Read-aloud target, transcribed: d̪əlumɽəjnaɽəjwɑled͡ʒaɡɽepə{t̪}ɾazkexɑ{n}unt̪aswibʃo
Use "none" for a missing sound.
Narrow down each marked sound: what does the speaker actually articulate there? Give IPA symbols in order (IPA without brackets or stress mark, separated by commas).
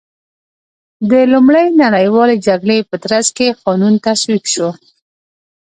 t̪, n